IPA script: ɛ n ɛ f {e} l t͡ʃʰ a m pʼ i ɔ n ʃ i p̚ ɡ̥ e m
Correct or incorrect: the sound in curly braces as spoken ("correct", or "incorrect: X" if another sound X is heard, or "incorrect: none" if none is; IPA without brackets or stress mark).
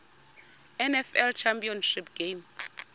incorrect: ɛ